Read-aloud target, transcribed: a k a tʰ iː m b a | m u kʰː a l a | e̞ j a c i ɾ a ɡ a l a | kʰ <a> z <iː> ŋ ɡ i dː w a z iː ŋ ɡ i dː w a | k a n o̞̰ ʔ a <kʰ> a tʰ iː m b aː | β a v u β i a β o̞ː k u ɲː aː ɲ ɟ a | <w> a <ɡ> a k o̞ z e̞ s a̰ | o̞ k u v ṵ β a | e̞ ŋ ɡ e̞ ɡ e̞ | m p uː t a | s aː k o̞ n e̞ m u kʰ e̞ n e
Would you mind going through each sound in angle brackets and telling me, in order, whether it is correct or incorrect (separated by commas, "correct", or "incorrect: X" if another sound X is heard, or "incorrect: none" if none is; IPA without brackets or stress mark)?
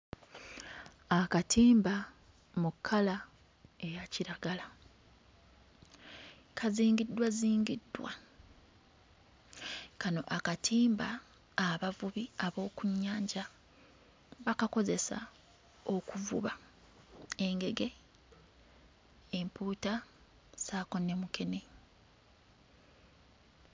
correct, correct, incorrect: k, incorrect: β, incorrect: k